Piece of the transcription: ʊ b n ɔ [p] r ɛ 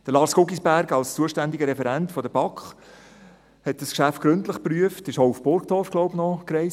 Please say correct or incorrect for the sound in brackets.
incorrect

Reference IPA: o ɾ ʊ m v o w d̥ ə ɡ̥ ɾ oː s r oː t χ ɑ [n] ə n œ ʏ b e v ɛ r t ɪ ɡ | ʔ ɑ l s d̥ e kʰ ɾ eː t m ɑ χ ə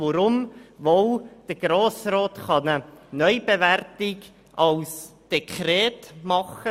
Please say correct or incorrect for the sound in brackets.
correct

